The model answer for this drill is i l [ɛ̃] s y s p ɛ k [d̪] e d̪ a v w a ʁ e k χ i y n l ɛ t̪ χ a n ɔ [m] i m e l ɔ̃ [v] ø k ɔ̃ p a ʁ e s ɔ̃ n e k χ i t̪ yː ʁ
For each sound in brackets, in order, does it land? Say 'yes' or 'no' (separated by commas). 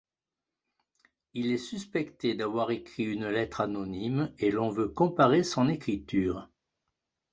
no, no, no, yes